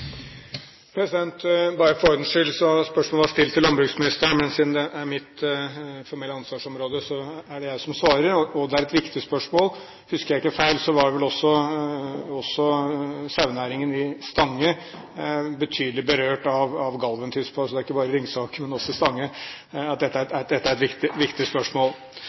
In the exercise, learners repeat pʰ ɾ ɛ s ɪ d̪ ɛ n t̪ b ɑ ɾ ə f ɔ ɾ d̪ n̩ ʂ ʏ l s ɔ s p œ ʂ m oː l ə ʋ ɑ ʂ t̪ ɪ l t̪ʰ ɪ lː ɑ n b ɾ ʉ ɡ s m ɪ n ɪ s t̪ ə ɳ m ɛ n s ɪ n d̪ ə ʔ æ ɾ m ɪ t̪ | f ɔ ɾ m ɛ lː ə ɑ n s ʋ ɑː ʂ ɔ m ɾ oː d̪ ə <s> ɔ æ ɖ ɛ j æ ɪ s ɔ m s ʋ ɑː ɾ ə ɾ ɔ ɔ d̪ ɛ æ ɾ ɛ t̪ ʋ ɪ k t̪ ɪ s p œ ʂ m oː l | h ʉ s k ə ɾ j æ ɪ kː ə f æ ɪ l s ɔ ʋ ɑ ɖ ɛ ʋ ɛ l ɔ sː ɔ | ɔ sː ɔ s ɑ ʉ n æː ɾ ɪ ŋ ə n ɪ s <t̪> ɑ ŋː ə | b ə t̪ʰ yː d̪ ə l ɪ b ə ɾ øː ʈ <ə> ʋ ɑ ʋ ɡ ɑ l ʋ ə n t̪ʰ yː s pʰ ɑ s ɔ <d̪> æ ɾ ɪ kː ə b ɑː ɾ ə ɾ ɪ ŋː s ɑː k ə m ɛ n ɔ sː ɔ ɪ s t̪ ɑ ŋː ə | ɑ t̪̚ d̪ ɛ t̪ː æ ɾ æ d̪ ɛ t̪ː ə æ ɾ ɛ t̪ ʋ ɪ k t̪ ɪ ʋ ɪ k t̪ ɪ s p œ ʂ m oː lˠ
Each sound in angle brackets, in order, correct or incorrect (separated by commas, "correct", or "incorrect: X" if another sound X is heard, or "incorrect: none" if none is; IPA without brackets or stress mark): correct, correct, incorrect: ɑ, correct